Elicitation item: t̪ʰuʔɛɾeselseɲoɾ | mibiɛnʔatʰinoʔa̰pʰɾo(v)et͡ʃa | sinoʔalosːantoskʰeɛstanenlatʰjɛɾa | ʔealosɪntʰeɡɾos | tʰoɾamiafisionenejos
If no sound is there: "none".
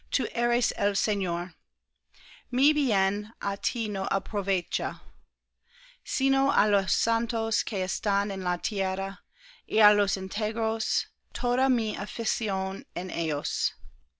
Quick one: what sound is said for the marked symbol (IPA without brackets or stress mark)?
v